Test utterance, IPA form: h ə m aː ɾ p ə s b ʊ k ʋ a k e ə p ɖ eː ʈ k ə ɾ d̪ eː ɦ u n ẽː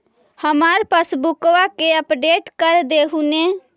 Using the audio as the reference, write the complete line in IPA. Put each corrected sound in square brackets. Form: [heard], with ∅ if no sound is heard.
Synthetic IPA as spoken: h ə m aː ɾ p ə s b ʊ k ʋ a k e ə p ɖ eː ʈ k ə ɾ d̪ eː ɦ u n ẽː